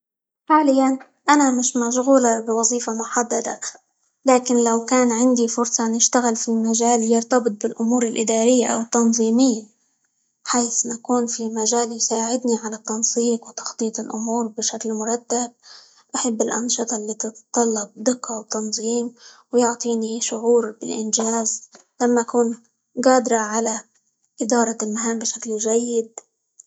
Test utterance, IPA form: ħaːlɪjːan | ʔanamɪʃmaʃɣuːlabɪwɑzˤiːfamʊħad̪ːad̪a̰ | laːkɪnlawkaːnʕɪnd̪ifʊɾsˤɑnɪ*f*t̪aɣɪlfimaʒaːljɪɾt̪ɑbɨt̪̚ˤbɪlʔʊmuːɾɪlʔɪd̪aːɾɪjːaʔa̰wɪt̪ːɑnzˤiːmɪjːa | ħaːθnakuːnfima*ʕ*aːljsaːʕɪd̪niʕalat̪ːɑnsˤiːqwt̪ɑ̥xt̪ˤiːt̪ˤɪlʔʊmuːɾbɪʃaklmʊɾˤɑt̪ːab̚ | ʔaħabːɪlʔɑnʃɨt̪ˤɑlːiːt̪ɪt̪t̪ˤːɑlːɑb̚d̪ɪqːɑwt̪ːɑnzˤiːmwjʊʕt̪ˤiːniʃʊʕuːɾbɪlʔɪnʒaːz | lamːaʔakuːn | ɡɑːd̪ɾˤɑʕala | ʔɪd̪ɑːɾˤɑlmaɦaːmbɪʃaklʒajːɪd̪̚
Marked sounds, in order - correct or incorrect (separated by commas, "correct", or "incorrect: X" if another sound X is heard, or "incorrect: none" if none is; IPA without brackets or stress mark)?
incorrect: ʃ, incorrect: ʒ